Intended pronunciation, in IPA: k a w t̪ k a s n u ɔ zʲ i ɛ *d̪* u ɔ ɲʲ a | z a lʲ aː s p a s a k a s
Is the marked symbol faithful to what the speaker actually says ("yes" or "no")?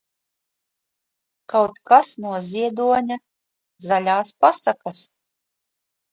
yes